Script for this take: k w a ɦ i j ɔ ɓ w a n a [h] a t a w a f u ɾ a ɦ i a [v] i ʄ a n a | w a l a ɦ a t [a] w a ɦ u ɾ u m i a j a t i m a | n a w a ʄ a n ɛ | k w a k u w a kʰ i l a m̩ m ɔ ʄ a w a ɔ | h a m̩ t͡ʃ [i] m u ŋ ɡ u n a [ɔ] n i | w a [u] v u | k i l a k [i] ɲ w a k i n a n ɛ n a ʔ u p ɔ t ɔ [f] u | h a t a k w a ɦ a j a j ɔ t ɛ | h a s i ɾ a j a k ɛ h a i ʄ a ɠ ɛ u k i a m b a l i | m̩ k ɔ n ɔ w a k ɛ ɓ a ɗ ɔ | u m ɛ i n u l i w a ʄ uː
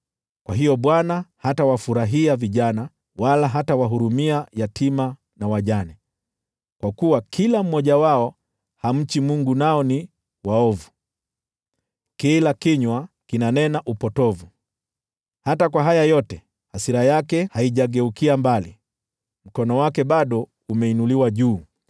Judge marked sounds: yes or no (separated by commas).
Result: yes, yes, yes, yes, yes, no, yes, no